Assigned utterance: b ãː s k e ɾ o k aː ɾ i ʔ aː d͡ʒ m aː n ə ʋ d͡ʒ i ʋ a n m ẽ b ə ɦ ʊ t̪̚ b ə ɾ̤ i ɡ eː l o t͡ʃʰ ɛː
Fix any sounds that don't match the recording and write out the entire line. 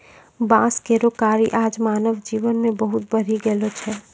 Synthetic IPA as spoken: b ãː s k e ɾ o k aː ɾ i ʔ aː d͡ʒ m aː n ə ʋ d͡ʒ i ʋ ə n m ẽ b ə ɦ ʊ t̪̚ b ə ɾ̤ i ɡ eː l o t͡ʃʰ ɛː